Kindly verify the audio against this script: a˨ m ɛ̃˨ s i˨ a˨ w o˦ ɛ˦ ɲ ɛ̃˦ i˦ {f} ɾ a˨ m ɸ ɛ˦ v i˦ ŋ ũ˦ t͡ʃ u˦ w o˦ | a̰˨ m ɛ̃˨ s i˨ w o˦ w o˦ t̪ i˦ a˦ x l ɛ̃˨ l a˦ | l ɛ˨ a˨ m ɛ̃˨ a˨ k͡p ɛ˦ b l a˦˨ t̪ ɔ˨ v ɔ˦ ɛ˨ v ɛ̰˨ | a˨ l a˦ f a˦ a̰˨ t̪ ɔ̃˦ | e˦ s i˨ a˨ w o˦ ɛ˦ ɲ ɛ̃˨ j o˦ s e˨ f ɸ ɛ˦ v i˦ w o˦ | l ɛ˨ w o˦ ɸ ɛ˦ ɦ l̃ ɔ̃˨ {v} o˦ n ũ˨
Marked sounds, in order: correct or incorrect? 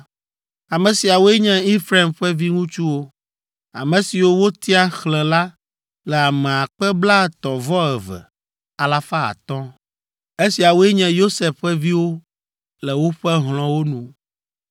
correct, incorrect: w

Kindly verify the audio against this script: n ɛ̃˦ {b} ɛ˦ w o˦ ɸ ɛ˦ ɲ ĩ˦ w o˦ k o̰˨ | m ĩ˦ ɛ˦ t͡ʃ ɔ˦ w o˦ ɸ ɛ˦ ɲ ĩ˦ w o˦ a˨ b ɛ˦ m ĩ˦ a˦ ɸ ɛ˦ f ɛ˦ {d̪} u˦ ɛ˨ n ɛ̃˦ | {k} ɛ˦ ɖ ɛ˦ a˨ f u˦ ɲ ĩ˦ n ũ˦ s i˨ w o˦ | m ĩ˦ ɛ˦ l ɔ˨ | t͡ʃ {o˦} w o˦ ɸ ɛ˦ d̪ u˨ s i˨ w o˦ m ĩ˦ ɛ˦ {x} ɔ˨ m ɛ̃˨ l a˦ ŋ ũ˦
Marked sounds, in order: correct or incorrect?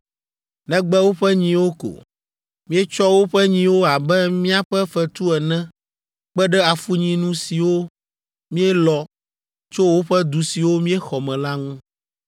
incorrect: ɡ͡b, incorrect: t̪, incorrect: k͡p, correct, correct

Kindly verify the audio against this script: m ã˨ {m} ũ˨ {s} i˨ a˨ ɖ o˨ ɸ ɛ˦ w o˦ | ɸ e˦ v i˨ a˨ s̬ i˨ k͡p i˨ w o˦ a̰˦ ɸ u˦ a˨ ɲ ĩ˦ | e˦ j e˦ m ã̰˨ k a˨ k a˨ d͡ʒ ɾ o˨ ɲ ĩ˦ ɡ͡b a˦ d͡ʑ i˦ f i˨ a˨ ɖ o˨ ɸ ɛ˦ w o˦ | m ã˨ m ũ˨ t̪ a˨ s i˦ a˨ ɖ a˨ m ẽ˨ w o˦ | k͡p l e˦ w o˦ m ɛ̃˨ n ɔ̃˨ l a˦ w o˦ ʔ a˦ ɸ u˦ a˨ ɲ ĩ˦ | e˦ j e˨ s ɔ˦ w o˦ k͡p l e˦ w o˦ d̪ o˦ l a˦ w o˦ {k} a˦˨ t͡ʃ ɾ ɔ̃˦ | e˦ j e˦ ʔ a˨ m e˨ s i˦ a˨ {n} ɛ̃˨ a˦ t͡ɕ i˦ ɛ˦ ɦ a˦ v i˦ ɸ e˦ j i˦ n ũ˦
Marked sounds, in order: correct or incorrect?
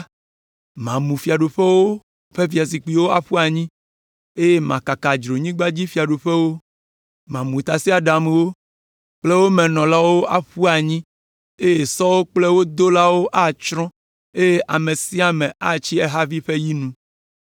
correct, incorrect: f, incorrect: ʔ, incorrect: m

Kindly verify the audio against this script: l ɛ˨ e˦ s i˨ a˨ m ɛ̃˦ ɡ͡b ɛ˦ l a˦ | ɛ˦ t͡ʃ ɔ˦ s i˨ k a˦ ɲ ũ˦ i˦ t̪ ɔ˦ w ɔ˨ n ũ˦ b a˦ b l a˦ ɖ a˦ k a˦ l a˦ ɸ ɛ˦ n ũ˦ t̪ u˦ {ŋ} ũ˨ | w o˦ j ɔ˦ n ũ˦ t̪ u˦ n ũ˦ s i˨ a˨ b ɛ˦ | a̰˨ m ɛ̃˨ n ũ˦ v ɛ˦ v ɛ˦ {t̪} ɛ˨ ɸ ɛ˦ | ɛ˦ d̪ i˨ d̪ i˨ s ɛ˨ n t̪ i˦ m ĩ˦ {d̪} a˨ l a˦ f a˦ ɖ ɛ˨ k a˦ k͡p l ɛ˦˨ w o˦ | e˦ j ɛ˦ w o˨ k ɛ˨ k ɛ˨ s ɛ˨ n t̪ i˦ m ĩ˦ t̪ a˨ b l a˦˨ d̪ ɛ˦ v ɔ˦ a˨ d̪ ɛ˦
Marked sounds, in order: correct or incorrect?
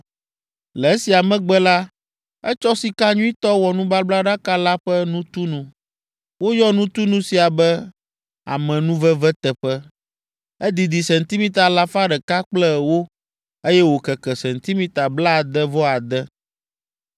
incorrect: n, correct, incorrect: t̪

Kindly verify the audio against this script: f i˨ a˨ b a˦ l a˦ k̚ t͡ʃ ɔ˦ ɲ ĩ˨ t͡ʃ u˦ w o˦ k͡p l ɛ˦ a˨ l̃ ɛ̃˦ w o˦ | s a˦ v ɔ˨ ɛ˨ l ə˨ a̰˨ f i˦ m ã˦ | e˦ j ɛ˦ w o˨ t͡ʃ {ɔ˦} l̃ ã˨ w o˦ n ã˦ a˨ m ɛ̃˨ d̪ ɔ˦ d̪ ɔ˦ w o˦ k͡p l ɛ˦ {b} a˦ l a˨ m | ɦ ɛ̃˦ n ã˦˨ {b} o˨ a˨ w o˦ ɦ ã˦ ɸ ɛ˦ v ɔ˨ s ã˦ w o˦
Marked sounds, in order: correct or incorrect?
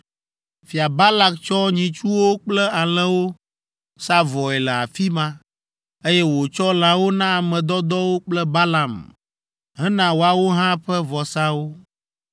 correct, correct, incorrect: w

